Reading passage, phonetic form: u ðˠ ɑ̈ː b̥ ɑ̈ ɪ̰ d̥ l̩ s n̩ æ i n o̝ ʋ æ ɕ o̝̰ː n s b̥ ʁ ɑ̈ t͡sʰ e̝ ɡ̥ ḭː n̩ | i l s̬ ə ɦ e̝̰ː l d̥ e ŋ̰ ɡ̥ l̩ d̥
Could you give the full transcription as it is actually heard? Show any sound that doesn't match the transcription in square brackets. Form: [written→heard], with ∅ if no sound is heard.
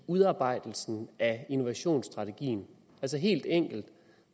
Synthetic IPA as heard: u ðˠ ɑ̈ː b̥ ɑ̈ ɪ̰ d̥ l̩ s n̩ æ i n o̝ ʋ æ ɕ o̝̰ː n s [b̥→d̥] ʁ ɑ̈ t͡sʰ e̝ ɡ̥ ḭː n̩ | [i→æ] l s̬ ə ɦ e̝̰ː l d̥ e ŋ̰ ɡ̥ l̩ d̥